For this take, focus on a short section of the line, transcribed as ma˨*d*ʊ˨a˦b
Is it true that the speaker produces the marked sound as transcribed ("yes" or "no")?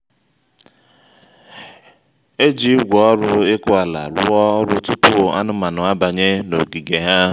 no